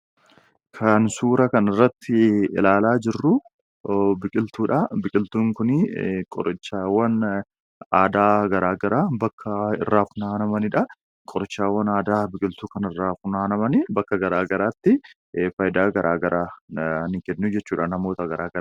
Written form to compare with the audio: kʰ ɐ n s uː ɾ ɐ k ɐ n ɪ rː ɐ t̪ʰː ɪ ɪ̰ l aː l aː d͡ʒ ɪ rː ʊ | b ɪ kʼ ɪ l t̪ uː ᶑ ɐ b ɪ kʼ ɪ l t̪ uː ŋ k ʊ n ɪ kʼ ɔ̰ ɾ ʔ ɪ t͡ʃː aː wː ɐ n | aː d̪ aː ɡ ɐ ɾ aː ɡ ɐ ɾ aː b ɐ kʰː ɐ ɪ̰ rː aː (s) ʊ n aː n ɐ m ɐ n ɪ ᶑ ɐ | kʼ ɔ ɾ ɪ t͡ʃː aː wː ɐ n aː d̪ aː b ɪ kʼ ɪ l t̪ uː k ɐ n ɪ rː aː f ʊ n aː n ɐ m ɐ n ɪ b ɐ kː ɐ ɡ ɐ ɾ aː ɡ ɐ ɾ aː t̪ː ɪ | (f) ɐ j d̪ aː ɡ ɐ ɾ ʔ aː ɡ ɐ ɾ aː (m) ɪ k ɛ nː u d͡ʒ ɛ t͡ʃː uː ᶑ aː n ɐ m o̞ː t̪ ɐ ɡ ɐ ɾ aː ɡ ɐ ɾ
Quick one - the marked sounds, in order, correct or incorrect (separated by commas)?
incorrect, correct, incorrect